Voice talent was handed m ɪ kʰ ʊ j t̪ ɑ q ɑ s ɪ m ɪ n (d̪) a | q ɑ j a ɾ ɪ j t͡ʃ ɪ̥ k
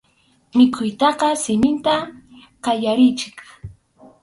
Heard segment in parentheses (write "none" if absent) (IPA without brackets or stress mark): t̪